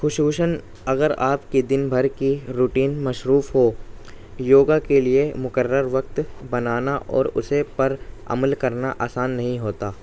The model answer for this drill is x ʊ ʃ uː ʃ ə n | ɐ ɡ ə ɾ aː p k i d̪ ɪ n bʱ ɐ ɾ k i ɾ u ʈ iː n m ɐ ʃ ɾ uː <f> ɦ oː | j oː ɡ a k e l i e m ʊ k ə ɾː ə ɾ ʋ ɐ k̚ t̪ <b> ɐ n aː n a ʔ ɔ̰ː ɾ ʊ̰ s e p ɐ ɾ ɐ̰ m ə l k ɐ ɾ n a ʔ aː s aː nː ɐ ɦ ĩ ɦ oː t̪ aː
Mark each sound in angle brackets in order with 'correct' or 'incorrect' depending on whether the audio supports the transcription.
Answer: correct, correct

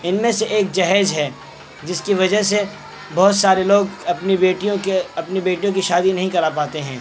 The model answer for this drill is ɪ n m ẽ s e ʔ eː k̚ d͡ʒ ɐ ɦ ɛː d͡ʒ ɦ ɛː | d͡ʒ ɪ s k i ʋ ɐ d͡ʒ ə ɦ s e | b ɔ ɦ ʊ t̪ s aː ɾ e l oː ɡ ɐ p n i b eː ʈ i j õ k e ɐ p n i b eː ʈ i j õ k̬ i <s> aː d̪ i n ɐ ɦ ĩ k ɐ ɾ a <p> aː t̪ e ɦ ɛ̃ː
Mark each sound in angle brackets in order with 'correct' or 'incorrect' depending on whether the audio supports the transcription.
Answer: incorrect: ʃ, correct

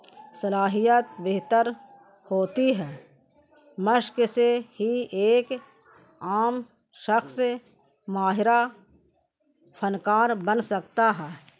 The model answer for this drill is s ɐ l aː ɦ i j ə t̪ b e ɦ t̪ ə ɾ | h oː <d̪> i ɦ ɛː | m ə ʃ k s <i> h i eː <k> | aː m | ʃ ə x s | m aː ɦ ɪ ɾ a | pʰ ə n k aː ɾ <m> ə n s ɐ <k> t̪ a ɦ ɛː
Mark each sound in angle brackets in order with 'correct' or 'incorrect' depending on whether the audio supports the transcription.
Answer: incorrect: t̪, incorrect: e, correct, incorrect: b, correct

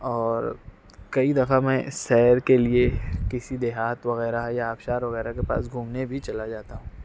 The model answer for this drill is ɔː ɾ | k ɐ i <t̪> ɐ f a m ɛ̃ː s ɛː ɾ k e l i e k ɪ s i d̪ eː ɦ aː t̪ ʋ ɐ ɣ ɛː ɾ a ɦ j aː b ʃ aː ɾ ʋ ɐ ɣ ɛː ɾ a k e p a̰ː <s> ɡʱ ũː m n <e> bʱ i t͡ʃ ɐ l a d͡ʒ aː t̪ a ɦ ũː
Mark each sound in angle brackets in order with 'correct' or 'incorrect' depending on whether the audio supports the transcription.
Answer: incorrect: d̪, correct, correct

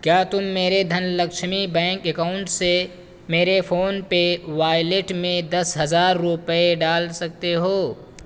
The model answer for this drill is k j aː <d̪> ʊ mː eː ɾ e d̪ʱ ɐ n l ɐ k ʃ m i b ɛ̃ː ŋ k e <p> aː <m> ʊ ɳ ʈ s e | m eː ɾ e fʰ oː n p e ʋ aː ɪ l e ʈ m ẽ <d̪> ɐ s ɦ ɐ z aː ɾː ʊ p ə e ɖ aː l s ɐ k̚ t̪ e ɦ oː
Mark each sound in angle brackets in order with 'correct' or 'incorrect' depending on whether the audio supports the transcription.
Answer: incorrect: t̪, incorrect: k, incorrect: none, correct

